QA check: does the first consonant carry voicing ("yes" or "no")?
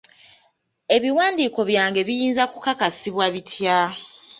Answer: yes